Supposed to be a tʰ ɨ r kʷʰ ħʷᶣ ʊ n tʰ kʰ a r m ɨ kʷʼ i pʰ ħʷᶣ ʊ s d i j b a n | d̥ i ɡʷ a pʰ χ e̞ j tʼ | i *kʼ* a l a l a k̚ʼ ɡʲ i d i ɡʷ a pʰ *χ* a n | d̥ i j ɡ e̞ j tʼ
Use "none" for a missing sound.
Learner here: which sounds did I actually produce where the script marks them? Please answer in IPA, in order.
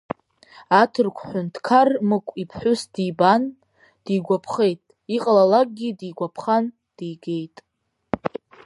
qʼ, χ

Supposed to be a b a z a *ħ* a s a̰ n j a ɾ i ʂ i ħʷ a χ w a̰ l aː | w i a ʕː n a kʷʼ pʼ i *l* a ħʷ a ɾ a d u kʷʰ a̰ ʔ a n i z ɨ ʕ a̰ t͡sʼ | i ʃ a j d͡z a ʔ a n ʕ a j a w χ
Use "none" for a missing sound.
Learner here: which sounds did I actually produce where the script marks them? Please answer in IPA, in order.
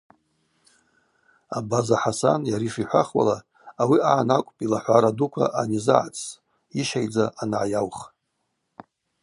ħ, l

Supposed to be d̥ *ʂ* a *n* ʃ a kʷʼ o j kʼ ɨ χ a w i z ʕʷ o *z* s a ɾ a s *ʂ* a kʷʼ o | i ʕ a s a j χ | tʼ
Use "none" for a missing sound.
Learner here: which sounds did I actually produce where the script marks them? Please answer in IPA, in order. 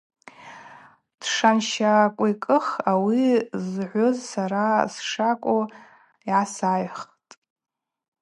ʂ, n, z, ʂ

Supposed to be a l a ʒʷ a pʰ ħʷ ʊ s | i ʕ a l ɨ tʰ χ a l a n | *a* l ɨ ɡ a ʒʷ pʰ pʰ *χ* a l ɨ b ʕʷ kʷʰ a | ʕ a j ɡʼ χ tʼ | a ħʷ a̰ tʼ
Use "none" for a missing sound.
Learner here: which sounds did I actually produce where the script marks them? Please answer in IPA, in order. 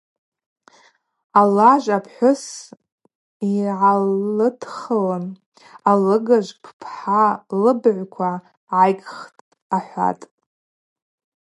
a, ħ

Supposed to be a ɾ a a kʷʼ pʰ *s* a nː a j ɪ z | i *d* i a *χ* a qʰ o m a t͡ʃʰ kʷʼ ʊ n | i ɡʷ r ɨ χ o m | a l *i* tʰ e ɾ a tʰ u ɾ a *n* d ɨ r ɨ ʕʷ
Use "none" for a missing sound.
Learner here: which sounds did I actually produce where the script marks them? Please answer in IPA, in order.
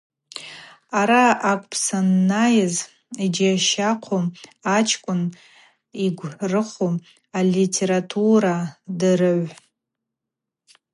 s, d͡ʒ, ʃ, i, none

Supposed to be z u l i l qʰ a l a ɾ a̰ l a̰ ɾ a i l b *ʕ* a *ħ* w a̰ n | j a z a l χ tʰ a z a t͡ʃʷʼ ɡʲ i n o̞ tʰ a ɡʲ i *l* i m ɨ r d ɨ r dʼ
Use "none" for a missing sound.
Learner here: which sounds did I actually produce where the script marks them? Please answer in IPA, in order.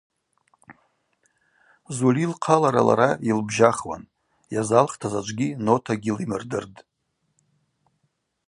ʒ, χ, l

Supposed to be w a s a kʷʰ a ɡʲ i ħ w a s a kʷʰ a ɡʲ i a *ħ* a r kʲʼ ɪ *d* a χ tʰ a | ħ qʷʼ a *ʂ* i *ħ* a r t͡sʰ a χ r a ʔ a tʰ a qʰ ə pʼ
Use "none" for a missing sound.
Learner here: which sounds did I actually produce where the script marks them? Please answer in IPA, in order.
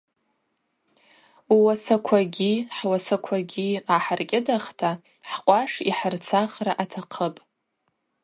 ħ, d, ʂ, ħ

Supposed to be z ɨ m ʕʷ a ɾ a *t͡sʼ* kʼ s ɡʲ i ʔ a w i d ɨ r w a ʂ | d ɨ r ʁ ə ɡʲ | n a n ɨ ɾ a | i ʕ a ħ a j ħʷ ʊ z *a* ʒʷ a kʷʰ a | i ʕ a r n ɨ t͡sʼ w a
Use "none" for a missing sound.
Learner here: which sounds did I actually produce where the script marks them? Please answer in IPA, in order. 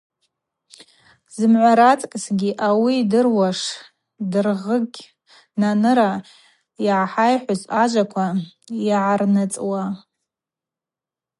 t͡sʼ, a

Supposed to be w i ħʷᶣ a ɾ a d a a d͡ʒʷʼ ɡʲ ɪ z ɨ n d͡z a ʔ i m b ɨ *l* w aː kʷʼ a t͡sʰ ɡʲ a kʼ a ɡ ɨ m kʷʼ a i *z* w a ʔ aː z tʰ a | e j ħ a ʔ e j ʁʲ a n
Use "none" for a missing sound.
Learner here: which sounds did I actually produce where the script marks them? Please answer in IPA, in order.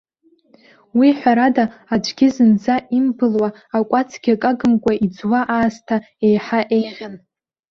l, d͡z

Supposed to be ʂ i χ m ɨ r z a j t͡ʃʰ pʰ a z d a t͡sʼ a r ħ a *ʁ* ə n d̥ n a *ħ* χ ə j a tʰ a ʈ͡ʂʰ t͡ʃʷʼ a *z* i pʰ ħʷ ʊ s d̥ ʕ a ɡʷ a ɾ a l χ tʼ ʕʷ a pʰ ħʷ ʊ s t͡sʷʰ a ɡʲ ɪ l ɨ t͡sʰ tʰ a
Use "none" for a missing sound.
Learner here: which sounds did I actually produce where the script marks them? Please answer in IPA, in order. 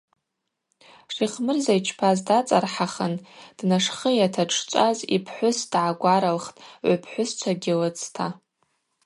χ, ʂ, z

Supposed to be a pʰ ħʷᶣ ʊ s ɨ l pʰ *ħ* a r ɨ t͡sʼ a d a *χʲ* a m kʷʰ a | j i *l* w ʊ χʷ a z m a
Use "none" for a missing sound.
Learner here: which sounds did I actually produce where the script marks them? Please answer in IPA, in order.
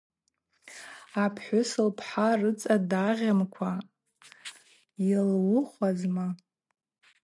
ħ, ʁʲ, l

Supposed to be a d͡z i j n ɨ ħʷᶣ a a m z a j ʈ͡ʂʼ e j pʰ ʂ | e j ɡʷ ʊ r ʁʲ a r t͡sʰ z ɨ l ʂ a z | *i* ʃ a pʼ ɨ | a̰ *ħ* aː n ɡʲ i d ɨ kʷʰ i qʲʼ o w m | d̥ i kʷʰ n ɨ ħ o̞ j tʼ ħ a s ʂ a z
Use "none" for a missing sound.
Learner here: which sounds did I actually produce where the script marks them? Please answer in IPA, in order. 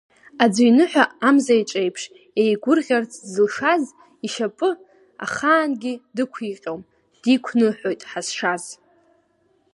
i, χ

